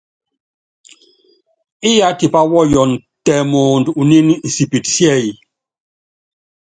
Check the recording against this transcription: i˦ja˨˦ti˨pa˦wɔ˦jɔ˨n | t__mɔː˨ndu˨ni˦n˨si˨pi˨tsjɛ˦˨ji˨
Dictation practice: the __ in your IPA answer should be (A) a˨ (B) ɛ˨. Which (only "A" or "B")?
B